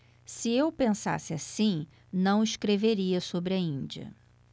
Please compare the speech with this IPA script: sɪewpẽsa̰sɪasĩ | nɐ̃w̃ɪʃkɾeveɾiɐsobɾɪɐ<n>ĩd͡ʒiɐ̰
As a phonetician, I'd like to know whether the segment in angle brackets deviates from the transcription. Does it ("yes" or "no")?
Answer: yes